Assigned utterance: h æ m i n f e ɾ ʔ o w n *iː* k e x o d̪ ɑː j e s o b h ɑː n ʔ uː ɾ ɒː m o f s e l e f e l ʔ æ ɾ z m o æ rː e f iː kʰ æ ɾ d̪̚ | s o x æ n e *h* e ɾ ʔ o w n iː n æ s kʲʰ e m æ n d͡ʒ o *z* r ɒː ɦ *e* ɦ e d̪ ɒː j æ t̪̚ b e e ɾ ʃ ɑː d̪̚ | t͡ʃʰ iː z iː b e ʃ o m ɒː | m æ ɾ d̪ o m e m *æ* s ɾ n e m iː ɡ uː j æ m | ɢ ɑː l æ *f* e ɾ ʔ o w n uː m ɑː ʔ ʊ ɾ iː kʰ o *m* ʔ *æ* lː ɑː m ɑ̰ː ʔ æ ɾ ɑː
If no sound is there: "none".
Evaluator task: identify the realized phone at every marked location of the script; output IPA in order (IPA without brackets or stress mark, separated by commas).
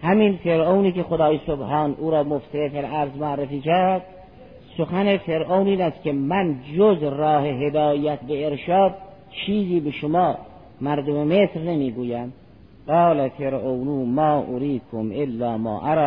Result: iː, f, z, e, e, f, m, e